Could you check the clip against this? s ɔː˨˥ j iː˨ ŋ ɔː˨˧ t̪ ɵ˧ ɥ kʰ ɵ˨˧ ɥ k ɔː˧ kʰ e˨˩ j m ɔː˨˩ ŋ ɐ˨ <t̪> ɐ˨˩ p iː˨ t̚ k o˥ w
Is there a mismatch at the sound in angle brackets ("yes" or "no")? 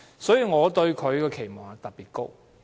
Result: no